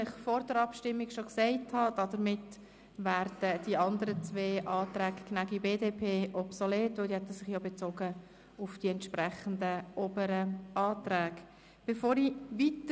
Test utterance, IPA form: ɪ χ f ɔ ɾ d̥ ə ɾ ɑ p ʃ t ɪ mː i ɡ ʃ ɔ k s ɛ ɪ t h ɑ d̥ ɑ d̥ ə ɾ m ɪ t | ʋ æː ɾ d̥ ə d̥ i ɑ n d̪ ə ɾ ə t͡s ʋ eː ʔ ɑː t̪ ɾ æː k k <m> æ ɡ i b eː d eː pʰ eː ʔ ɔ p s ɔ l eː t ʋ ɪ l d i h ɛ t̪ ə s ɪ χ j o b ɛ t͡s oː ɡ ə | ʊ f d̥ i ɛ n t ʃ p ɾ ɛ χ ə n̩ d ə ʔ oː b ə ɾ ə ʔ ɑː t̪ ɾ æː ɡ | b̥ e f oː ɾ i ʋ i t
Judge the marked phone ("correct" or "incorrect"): incorrect